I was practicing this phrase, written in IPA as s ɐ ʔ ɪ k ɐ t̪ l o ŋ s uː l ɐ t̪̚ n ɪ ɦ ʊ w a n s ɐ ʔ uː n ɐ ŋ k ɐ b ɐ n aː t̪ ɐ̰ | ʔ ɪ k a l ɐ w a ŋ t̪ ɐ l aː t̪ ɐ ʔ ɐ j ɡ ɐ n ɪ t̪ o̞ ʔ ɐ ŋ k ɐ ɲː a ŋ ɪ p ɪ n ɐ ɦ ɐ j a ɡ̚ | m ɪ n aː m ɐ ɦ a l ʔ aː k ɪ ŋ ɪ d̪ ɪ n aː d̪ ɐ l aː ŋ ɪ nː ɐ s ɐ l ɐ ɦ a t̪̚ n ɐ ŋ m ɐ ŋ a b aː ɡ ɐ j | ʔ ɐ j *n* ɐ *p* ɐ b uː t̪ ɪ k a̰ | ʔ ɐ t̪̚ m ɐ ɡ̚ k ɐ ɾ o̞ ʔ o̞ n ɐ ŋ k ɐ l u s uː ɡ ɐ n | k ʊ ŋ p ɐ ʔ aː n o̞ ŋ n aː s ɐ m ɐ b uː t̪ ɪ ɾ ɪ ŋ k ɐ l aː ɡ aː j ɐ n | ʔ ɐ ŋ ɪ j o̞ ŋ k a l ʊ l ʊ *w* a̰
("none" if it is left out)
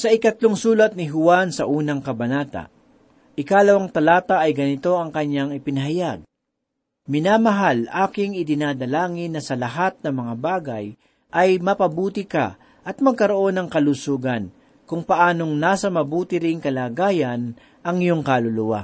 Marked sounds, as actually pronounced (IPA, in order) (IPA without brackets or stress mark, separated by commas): m, p, w